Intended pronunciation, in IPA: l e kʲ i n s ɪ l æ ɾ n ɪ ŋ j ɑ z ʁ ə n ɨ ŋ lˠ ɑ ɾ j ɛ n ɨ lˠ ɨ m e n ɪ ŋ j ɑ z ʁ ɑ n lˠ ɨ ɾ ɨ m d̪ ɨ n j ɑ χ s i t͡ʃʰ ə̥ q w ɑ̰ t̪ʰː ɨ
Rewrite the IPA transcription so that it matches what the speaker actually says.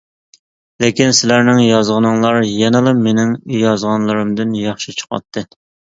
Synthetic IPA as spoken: l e kʲ i n s ɪ l æ ɾ n ɪ ŋ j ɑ z ʁ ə n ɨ ŋ lˠ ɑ ɾ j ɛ n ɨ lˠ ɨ m e n ɪ ŋ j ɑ z ʁ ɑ n lˠ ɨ ɾ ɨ m d̪ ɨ n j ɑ χ ʃ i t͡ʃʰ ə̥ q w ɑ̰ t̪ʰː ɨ